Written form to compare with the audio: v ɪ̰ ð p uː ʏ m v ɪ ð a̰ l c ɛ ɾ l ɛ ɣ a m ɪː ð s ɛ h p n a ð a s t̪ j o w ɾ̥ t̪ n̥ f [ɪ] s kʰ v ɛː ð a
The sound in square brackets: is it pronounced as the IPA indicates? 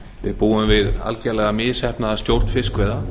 yes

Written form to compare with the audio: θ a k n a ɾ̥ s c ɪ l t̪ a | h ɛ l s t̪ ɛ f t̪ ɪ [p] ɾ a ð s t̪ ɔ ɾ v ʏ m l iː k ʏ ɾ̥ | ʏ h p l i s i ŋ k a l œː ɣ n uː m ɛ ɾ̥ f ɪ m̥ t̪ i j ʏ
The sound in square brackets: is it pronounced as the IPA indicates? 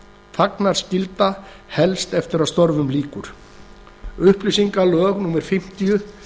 no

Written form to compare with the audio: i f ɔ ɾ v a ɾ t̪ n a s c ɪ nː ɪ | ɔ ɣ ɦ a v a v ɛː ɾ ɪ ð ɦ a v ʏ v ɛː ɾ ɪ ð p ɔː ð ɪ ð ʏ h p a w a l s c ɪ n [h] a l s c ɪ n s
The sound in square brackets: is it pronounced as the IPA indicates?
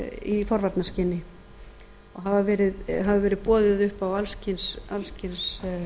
no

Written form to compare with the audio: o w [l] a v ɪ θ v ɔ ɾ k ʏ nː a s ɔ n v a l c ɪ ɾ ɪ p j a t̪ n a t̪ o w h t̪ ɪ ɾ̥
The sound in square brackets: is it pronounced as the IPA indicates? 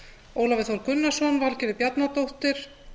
yes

